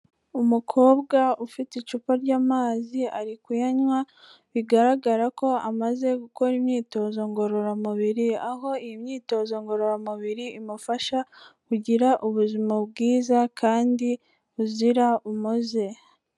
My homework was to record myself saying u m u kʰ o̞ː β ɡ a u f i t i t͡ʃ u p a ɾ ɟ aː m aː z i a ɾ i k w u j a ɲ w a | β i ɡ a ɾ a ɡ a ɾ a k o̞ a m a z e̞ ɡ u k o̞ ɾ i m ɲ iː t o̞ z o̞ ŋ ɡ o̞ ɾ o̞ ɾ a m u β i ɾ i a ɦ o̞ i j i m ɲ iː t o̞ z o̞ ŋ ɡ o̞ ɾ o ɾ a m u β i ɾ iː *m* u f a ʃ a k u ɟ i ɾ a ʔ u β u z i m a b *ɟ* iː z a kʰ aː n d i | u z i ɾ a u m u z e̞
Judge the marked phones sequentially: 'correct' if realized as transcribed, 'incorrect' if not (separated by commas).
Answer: correct, incorrect